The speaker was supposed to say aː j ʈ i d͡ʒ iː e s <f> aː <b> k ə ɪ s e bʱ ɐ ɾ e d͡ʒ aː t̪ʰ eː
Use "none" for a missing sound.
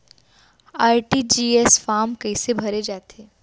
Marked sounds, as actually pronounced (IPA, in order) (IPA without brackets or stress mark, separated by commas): f, m